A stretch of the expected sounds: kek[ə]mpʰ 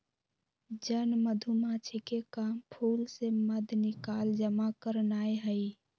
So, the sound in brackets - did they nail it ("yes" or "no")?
no